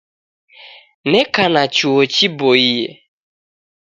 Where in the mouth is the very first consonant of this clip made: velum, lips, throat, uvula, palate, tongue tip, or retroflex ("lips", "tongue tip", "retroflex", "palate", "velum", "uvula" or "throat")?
tongue tip